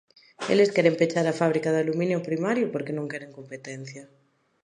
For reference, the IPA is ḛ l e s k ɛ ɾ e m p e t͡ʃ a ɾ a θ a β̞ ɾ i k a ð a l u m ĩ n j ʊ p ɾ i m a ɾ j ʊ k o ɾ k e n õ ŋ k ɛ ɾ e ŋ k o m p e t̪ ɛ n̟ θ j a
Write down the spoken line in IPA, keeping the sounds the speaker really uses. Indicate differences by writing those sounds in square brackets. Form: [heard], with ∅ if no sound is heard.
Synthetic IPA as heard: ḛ l e s k ɛ ɾ e m p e t͡ʃ a ɾ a [f] a β̞ ɾ i k a ð a l u m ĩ n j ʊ p ɾ i m a ɾ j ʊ [p] o ɾ k e n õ ŋ k ɛ ɾ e ŋ k o m p e t̪ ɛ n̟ θ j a